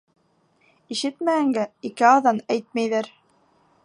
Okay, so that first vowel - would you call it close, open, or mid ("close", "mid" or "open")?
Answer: close